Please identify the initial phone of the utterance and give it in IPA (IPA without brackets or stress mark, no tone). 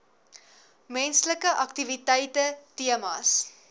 m